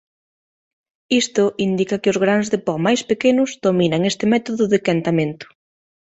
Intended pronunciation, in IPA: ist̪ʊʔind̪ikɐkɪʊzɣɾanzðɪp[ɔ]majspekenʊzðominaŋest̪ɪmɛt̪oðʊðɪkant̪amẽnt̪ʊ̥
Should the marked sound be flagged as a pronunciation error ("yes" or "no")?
no